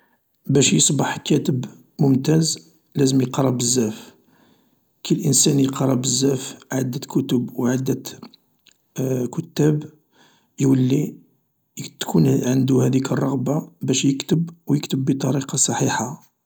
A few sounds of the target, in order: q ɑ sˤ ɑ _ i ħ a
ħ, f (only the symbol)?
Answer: ħ